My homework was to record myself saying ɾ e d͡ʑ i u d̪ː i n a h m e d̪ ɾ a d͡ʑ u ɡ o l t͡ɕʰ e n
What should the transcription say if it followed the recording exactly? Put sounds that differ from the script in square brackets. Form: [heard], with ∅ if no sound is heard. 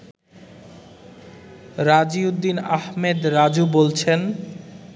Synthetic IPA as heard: ɾ [a] d͡ʑ i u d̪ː i n a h m e d̪ ɾ a d͡ʑ u [b] o l t͡ɕʰ e n